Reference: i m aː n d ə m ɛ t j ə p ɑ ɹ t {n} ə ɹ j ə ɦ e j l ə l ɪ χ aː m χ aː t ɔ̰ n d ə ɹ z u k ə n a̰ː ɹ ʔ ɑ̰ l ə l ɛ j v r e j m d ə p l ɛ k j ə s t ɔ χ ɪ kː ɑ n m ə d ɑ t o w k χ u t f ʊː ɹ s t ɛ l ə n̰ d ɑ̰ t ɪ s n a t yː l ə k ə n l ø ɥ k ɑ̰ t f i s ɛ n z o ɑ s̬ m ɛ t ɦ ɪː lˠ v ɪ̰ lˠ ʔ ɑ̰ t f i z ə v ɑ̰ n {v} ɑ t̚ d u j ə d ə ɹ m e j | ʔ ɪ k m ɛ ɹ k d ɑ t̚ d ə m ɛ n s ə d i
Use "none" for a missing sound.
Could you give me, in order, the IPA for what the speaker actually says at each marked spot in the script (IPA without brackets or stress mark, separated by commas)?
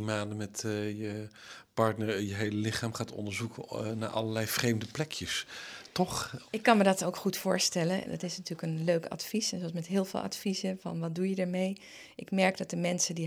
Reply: n, ʋ